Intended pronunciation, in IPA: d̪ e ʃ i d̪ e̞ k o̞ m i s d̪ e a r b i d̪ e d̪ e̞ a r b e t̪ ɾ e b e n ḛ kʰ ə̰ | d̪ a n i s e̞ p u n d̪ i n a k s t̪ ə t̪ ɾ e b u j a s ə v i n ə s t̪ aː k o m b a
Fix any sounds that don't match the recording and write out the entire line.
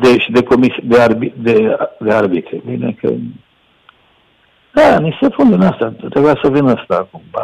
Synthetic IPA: d̪ e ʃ i d̪ e̞ k o̞ m i s d̪ e a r b i d̪ e d̪ e̞ a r b i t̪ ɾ e b i n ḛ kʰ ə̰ | d̪ a n i s e̞ p u n d̪ i n a s t̪ a t̪ ɾ e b u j a s ə v i n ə s t̪ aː k u m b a